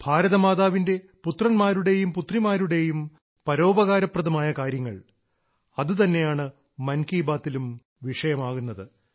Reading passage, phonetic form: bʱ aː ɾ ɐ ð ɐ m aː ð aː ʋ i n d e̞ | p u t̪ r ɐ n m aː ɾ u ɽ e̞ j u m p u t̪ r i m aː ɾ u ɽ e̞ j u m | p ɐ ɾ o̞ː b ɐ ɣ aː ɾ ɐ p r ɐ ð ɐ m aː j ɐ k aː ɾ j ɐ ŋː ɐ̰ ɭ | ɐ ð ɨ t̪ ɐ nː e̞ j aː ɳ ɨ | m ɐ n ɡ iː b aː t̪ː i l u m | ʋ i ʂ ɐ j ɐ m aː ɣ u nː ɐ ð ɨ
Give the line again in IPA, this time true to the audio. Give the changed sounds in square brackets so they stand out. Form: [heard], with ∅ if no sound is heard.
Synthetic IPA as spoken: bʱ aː ɾ ɐ ð ɐ m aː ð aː ʋ i n d e̞ | p u t̪ r ɐ n m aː ɾ u ɽ e̞ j u m p u t̪ r i m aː ɾ u ɽ e̞ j u m | p ɐ ɾ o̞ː b ɐ ɣ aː ɾ ɐ p r ɐ ð ɐ m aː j ɐ k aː ɾ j ɐ ŋː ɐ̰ ɭ | ɐ ð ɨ t̪ ɐ nː e̞ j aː ɳ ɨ | m ɐ n [k] iː b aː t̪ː i l u m | ʋ i ʂ ɐ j ɐ m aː ɣ u nː ɐ ð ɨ